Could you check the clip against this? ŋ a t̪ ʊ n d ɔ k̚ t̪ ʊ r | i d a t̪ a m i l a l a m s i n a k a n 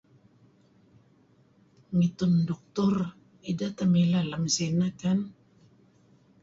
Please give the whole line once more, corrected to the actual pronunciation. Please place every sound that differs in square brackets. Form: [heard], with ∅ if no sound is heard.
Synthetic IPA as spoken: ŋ [i] t̪ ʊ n d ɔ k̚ t̪ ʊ r | i d a t̪ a m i l a l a m s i n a k a n